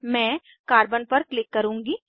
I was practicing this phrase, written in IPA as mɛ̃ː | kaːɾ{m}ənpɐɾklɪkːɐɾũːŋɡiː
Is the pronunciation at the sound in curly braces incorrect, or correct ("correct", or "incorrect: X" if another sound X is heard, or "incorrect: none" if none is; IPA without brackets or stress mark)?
incorrect: b